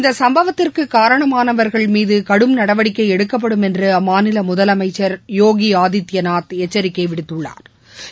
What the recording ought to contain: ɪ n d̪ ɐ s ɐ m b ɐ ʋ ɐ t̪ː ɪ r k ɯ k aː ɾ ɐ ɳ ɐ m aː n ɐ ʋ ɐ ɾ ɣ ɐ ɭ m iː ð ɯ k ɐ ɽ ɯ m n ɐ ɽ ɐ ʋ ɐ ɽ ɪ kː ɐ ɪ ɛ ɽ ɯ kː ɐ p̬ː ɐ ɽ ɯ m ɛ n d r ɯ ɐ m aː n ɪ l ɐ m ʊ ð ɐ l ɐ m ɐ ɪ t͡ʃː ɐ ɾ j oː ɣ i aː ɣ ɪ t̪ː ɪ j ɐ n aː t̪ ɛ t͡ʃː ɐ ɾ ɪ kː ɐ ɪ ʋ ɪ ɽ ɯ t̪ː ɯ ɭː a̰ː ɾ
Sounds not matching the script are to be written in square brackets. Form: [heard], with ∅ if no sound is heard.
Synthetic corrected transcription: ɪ n d̪ ɐ s ɐ m b ɐ ʋ ɐ t̪ː ɪ r k ɯ k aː ɾ ɐ ɳ ɐ m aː n ɐ ʋ ɐ ɾ ɣ ɐ ɭ m iː ð ɯ k ɐ ɽ ɯ m n ɐ ɽ ɐ ʋ ɐ ɽ ɪ kː ɐ ɪ ɛ ɽ ɯ kː ɐ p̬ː ɐ ɽ ɯ m ɛ n d r ɯ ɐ m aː n ɪ l ɐ m ʊ ð ɐ l ɐ m ɐ ɪ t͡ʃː ɐ ɾ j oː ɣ i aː [ð] ɪ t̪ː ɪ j ɐ n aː t̪ ɛ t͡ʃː ɐ ɾ ɪ kː ɐ ɪ ʋ ɪ ɽ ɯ t̪ː ɯ ɭː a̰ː ɾ